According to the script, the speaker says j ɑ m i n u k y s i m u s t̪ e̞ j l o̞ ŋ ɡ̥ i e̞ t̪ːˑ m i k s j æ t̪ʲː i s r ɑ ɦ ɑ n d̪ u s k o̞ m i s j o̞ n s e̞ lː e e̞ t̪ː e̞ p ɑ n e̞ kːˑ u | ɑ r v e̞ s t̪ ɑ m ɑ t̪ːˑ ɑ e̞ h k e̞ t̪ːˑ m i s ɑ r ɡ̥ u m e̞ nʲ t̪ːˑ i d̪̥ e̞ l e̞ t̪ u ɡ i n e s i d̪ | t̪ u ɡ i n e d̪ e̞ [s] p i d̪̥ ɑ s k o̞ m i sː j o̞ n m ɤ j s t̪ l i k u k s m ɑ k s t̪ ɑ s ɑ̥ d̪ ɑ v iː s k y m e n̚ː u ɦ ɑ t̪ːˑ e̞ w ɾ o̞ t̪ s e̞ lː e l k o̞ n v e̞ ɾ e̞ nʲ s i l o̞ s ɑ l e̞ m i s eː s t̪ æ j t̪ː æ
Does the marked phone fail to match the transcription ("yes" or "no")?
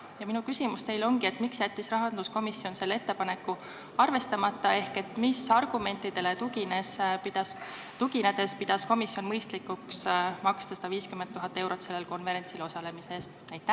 no